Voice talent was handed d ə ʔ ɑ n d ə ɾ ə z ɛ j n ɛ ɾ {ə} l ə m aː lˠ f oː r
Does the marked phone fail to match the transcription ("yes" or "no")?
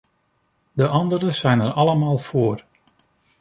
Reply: yes